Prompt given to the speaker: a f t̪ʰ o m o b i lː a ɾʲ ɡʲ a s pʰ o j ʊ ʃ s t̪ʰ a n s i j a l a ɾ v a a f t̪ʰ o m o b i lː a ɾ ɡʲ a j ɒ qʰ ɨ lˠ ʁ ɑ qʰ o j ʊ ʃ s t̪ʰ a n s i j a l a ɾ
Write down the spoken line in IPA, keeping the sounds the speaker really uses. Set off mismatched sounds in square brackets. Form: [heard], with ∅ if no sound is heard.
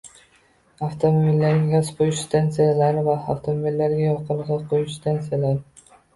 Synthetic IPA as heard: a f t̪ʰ o m o b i lː a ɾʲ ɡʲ a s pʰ o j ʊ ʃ s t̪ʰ a n s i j a l a ɾ v a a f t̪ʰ o m o b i lː a ɾ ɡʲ a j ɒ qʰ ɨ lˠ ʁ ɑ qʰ o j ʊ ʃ s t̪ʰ a n s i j a l a ɾ